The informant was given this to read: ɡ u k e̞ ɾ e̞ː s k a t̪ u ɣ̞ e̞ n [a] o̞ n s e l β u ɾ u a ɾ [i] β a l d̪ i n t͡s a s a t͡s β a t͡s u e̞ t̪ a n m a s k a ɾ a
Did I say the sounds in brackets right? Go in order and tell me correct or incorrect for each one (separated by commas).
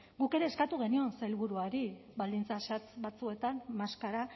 incorrect, correct